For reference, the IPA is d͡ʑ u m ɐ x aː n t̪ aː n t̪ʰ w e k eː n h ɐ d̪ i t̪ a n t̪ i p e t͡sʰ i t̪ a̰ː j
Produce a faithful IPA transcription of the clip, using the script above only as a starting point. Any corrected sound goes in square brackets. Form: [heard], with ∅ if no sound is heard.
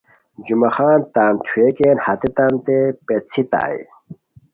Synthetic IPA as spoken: d͡ʑ u m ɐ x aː n t̪ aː n t̪ʰ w e k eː n h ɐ [t̪] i t̪ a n t̪ [e] p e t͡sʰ i t̪ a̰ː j